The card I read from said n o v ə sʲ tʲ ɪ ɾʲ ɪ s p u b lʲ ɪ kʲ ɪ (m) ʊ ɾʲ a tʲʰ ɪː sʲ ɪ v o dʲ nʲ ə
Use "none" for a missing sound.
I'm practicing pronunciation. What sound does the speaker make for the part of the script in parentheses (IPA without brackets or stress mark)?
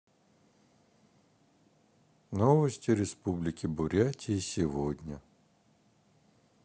b